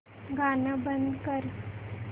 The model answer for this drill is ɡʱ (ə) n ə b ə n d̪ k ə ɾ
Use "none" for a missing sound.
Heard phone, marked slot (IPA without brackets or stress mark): a